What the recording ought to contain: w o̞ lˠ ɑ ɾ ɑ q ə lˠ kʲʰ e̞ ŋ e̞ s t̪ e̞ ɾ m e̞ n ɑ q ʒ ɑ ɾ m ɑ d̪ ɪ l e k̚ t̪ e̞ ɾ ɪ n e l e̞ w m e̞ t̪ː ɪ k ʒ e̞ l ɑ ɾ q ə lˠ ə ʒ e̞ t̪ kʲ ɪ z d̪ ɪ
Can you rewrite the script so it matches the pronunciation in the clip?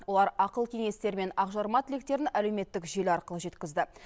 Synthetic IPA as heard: w o̞ lˠ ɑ ɾ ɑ q ə lˠ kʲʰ e̞ ŋ e̞ s t̪ e̞ ɾ m e̞ n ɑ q ʒ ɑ ɾ m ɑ t̪ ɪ l e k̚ t̪ e̞ ɾ ɪ n æ l e̞ w m e̞ t̪ː ɪ k ʒ e̞ l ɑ ɾ q ə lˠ ə ʒ e̞ t̪ kʲ ɪ z d̪ ɪ

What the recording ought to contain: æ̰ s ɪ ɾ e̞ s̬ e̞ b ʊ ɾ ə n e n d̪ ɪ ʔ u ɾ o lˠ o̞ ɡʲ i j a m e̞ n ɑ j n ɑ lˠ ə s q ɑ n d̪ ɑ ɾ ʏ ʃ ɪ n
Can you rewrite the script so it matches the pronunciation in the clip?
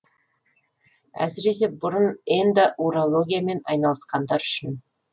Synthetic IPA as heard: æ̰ s ɪ ɾ e̞ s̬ e̞ b ʊ ɾ ə n e n d̪ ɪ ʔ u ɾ o lˠ o̞ ɡʲ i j a m e̞ n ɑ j n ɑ lˠ ə s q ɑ n d̪ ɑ ɾ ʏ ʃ ɪ n

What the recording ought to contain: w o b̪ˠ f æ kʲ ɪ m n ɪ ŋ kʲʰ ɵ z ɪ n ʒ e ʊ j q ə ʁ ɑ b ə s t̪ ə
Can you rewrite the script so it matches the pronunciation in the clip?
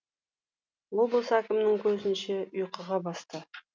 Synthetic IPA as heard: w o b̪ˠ s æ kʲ ɪ m n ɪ ŋ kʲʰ ɵ z ɪ n ʃ e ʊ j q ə ʁ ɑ b ɑ s t̪ ə

